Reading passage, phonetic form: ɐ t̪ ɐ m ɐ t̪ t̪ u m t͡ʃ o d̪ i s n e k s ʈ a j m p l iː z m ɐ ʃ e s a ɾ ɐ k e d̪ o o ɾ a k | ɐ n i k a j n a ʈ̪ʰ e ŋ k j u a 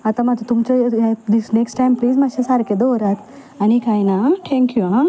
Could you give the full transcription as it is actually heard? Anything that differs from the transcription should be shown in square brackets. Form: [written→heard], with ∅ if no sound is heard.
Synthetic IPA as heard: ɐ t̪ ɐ m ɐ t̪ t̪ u m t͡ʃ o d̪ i s n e k s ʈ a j m p l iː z m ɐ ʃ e s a ɾ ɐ k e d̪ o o ɾ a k | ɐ n i k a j n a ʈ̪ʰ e ŋ k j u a